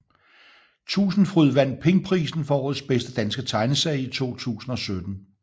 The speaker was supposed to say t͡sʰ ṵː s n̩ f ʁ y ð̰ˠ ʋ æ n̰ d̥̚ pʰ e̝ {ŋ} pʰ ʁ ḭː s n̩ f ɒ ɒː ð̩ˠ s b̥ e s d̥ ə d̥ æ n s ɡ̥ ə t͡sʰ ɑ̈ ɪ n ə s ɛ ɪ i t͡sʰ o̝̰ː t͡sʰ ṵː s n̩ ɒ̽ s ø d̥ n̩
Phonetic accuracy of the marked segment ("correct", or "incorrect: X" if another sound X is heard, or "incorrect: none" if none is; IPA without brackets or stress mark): correct